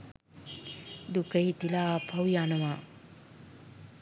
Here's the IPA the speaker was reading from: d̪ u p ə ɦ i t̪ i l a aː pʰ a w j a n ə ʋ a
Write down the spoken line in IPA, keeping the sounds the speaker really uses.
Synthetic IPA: d̪ u k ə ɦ i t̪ i l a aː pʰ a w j a n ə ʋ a